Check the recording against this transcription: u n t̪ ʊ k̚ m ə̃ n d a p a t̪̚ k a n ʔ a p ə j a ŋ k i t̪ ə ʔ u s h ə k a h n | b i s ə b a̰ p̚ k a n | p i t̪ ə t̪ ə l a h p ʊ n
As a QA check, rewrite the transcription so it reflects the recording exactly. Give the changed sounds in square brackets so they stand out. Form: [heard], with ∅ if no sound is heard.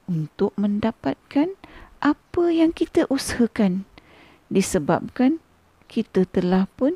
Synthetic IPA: u n t̪ ʊ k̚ m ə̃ n d a p a t̪̚ k a n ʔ a p ə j a ŋ k i t̪ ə ʔ u s h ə k a [∅] n | [d] i s ə b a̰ p̚ k a n | [k] i t̪ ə t̪ ə l a h p ʊ n